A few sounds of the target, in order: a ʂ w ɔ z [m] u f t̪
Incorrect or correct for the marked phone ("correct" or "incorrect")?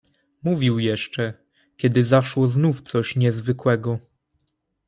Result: incorrect